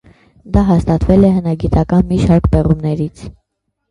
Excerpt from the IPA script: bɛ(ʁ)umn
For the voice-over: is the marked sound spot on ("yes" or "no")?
yes